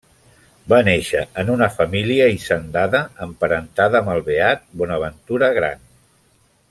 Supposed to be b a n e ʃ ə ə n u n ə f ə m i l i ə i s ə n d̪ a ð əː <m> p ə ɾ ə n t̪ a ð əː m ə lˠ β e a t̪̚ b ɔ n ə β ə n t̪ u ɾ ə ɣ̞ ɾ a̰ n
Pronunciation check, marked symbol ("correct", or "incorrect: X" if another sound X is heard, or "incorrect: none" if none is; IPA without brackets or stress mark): correct